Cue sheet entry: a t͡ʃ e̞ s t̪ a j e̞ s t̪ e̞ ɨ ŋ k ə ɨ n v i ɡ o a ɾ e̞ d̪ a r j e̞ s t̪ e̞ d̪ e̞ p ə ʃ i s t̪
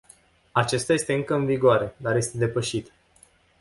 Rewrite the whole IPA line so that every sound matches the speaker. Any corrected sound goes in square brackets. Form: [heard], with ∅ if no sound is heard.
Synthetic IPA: a t͡ʃ e̞ s t̪ a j e̞ s t̪ e̞ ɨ ŋ k ə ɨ n v i ɡ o a ɾ e̞ d̪ a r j e̞ s t̪ e̞ d̪ e̞ p ə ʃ i [∅] t̪